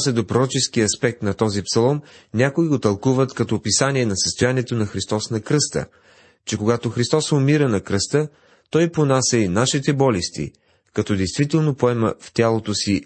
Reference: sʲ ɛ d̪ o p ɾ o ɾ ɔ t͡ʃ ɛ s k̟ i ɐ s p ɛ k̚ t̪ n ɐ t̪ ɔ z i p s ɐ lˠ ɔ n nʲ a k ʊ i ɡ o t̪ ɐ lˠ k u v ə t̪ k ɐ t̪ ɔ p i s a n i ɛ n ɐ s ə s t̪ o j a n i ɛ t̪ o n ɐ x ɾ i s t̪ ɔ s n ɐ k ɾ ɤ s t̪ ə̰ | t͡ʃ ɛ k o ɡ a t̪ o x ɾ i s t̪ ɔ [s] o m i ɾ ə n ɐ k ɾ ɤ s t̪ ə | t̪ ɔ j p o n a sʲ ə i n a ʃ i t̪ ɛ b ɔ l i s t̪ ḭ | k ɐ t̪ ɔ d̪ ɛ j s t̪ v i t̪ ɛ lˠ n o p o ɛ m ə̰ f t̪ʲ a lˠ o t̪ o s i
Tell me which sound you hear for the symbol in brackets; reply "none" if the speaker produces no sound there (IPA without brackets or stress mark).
s